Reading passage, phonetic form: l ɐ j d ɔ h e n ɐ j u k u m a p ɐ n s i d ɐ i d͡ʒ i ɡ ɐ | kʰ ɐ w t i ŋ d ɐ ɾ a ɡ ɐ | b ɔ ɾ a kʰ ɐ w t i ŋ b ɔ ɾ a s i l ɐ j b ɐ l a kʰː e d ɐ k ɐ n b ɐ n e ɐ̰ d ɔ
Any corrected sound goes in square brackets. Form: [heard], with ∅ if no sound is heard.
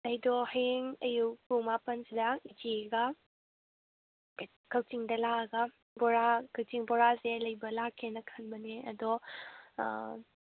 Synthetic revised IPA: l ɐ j d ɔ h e [ŋ] ɐ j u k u m a p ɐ n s i d ɐ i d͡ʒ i ɡ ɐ | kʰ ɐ w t i ŋ d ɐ [l] a ɡ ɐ | b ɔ ɾ a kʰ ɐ w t i ŋ b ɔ ɾ a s [e] l ɐ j b ɐ l a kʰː e [n] ɐ [kʰ] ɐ n b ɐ n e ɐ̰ d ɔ